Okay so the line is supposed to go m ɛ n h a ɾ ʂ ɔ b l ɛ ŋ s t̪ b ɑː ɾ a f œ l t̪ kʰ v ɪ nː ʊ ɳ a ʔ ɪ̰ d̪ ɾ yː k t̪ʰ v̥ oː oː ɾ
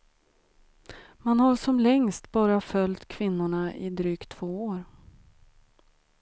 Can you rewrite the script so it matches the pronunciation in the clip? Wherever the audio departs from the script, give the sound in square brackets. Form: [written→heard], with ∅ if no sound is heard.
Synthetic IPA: m [ɛ→a] n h a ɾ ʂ ɔ [b→m] l ɛ ŋ s t̪ b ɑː ɾ a f œ l t̪ kʰ v ɪ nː ʊ ɳ a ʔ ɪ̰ d̪ ɾ yː k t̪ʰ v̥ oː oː ɾ